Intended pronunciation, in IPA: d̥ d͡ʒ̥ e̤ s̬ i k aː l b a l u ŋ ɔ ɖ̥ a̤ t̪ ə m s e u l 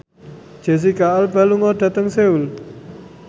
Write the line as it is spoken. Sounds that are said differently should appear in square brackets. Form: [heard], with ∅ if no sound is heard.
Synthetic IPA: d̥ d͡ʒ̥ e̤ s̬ i k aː l b a l u ŋ ɔ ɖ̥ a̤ t̪ ə [ŋ] s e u l